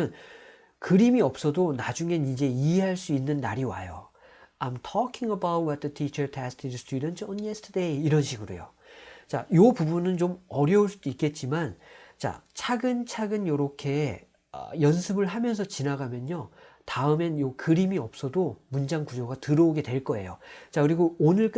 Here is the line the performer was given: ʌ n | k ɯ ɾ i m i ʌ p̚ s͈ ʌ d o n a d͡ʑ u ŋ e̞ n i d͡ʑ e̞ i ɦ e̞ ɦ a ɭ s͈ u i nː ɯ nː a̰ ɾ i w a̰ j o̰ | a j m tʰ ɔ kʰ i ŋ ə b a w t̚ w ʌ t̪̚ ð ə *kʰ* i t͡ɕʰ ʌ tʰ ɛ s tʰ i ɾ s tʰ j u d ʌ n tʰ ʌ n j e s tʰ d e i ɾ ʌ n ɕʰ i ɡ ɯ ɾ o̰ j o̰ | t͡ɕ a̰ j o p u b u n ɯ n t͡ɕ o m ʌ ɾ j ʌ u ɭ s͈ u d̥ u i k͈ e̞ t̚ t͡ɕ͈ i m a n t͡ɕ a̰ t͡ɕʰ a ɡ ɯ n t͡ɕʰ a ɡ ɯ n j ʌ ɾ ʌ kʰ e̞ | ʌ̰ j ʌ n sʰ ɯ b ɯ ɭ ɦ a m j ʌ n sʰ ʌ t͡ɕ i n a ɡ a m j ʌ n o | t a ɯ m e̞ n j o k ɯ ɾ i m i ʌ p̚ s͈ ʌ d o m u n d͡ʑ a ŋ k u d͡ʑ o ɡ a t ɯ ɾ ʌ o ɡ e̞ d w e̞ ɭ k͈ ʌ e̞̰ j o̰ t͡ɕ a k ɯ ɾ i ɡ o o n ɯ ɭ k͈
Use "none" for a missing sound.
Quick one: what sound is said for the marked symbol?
tʰ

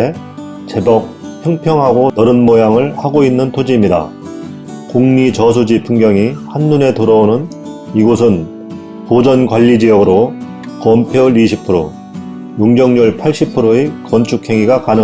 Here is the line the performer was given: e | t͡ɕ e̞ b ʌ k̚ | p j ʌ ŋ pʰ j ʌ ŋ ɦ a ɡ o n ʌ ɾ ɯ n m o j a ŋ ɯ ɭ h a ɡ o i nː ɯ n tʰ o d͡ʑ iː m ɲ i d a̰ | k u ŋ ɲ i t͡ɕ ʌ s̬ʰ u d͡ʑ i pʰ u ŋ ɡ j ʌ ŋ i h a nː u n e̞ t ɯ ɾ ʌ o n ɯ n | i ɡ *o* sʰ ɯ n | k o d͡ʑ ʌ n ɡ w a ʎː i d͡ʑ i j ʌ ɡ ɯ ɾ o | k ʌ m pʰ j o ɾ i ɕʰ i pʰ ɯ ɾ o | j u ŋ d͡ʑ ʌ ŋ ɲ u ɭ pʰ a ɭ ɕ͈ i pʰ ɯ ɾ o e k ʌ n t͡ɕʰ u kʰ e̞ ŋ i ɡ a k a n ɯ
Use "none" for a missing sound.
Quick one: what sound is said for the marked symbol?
o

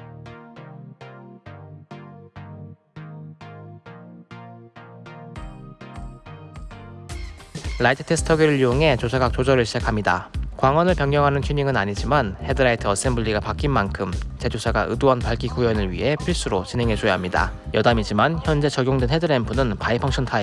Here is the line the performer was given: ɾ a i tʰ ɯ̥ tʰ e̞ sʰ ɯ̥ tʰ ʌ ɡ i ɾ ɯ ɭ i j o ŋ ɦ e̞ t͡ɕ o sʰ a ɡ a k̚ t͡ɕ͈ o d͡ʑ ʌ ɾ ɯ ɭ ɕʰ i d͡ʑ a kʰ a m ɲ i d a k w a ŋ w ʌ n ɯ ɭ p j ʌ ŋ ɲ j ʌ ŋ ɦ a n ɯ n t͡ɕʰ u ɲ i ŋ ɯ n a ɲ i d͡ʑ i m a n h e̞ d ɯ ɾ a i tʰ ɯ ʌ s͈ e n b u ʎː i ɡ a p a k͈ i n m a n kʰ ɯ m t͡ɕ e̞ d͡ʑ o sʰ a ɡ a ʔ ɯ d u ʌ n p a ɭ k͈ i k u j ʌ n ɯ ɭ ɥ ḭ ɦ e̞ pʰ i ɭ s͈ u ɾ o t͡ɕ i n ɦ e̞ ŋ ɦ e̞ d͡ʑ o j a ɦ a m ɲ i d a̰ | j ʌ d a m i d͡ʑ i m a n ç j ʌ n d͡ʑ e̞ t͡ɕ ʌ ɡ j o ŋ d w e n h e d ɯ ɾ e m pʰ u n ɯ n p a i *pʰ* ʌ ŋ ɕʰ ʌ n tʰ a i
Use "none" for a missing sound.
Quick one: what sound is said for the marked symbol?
pʰ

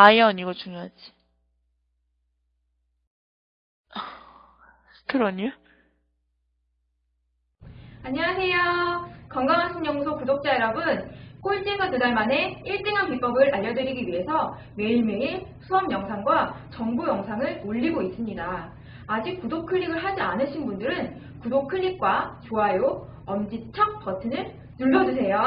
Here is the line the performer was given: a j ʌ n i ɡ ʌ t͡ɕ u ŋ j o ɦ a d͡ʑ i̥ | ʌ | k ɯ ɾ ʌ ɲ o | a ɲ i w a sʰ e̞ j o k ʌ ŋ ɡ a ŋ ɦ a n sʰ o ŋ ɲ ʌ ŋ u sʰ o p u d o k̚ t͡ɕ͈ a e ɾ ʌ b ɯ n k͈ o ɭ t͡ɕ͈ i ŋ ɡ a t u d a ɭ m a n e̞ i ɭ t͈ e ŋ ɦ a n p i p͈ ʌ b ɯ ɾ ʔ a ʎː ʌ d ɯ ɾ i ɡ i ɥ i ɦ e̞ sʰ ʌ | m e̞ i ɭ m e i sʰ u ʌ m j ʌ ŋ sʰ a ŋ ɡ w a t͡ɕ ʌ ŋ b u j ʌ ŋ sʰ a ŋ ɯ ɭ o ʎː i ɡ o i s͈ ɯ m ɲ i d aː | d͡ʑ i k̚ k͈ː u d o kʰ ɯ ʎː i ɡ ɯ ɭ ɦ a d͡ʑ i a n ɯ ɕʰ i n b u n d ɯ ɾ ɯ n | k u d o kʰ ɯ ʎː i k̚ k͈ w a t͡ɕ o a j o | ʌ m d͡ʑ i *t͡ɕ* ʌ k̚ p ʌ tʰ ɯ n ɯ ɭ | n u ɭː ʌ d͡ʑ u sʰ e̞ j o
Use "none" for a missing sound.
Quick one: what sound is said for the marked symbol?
t͡ɕʰ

